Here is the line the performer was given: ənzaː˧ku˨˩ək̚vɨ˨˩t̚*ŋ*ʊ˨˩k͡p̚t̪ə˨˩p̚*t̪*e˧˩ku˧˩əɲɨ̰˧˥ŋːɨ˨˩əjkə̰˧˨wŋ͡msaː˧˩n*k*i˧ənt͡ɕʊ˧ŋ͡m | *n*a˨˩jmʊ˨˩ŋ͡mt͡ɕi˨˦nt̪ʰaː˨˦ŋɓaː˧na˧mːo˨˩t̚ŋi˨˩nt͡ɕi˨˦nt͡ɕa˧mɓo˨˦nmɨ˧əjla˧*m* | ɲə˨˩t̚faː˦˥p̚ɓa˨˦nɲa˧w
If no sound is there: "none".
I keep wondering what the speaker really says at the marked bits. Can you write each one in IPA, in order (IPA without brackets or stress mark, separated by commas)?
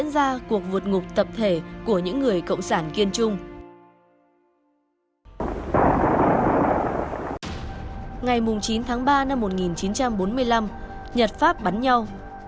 ŋ, t̪ʰ, k, ŋ, m